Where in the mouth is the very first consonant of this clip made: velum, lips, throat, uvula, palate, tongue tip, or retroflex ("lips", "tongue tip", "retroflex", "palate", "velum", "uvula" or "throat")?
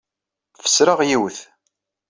lips